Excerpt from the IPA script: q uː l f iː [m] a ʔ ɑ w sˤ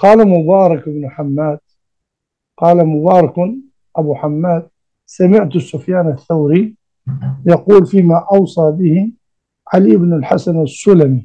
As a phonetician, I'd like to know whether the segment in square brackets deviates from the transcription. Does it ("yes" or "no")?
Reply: no